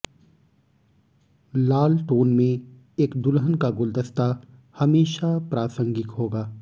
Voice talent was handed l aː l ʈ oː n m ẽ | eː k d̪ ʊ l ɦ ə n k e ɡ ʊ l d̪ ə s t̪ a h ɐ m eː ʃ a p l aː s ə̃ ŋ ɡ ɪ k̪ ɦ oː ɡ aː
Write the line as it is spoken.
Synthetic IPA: l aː l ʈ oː n m ẽ | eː k d̪ ʊ l ɦ ə n k a ɡ ʊ l d̪ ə s t̪ a h ɐ m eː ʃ a p ɾ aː s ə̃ ŋ ɡ ɪ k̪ ɦ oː ɡ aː

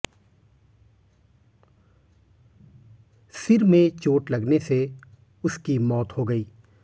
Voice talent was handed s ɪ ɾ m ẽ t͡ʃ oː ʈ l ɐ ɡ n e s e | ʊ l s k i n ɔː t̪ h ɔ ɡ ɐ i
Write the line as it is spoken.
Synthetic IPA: s ɪ ɾ m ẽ t͡ʃ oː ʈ l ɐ ɡ n e s e | ʊ s k i m ɔː t̪ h o ɡ ɐ iː

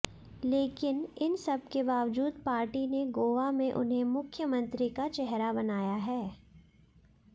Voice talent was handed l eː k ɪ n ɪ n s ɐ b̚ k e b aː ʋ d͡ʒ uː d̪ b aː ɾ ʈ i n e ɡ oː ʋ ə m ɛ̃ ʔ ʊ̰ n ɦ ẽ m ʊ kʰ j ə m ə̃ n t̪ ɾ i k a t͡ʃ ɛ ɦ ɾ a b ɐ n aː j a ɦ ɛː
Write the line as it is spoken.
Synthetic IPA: l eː k ɪ n ɪ n s ɐ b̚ k e b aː ʋ d͡ʒ uː d̪ p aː ɾ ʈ i n e ɡ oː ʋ a m ẽ ʔ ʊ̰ n ɦ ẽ m ʊ kʰ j ə m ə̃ n t̪ ɾ i k a t͡ʃ ɛ ɦ ɾ a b ɐ n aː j a ɦ ɛː

